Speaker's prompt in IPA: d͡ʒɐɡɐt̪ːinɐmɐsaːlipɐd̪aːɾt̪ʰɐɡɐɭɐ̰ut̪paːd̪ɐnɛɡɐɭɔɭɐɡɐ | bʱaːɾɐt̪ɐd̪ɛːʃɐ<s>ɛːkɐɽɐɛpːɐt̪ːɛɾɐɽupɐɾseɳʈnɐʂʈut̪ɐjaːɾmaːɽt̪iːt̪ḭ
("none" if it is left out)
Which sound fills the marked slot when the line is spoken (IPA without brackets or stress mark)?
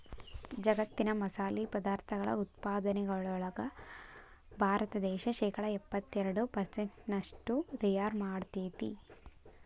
ʃ